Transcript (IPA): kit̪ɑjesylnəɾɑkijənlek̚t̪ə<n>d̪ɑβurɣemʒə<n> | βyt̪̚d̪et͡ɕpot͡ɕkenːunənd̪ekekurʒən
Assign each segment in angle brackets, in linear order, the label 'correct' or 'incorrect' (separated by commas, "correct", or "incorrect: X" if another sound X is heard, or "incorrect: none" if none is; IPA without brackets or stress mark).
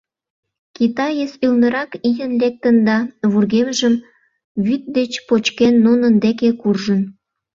correct, incorrect: m